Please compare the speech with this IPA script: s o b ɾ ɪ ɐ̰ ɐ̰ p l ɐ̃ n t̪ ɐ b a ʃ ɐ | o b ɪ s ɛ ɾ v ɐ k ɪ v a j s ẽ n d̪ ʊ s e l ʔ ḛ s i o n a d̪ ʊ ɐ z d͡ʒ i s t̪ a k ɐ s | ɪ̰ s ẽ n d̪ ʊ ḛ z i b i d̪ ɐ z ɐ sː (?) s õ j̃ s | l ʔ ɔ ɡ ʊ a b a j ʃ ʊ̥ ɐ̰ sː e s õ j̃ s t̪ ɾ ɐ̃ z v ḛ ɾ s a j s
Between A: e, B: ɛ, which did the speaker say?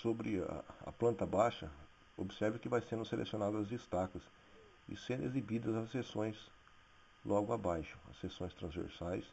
A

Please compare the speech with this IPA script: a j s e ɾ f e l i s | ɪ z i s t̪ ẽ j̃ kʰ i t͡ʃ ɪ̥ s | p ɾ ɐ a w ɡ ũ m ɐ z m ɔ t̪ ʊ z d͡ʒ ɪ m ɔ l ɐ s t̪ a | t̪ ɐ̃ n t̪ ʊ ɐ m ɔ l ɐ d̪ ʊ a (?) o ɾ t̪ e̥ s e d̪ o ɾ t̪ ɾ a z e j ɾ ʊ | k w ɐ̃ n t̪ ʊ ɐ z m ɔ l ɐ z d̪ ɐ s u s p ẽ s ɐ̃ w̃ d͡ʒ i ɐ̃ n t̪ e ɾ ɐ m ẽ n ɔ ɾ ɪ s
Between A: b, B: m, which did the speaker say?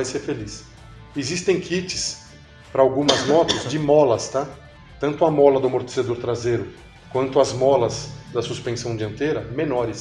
B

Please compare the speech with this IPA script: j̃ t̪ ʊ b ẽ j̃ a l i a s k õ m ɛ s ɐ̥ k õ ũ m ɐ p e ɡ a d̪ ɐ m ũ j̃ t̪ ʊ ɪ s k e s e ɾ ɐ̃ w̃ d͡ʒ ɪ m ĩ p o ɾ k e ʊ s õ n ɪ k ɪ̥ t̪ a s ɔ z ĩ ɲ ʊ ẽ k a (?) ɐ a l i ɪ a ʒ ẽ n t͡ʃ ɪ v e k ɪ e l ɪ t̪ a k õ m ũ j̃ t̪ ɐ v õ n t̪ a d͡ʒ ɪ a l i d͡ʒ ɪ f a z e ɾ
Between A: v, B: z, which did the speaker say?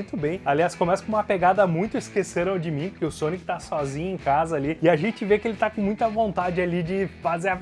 B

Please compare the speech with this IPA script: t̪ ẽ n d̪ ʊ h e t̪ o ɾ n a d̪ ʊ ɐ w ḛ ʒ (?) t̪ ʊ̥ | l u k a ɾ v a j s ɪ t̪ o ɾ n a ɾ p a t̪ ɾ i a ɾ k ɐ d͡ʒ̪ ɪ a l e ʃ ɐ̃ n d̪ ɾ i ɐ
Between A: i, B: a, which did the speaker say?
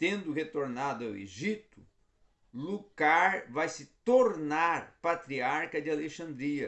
A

